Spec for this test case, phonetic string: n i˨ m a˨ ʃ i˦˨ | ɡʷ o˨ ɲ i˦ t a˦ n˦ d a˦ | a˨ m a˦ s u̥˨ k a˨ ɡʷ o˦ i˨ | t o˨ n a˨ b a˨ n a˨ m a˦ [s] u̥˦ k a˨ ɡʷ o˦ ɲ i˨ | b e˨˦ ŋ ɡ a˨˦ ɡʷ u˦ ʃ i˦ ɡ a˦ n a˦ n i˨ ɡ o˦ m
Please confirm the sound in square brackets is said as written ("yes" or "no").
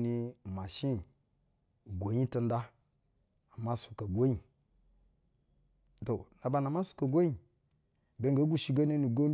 yes